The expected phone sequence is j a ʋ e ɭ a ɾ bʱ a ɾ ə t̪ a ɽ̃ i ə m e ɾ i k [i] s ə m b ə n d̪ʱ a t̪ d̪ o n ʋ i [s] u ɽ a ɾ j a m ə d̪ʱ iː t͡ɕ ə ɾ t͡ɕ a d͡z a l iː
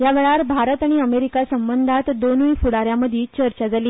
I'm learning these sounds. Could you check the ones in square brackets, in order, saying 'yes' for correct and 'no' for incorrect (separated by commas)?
no, no